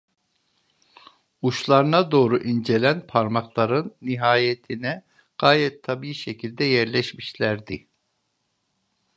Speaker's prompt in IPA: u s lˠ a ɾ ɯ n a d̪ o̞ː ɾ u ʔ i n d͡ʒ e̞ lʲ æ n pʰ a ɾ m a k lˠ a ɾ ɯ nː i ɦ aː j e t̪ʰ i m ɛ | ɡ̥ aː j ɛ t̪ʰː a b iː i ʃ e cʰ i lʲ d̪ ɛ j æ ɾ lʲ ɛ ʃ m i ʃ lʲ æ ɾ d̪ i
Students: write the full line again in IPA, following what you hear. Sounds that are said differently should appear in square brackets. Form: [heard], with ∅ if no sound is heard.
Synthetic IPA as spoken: u [ʃ] lˠ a ɾ ɯ n a d̪ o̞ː ɾ u ʔ i n d͡ʒ e̞ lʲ æ n pʰ a ɾ m a k lˠ a ɾ ɯ nː i ɦ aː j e t̪ʰ i [n] ɛ | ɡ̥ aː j ɛ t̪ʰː a b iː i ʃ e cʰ i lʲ d̪ ɛ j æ ɾ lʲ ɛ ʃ m i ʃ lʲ æ ɾ d̪ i